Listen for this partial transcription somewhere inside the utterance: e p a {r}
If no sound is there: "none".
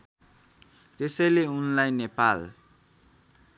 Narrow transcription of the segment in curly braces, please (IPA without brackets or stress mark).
l